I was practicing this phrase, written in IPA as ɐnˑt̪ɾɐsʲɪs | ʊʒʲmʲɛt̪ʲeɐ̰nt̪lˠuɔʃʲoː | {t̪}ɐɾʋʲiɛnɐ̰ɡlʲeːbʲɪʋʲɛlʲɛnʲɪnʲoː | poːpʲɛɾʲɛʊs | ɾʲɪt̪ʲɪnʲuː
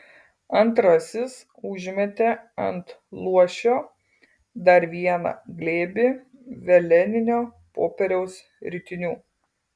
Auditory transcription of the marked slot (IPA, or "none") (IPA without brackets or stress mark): d̪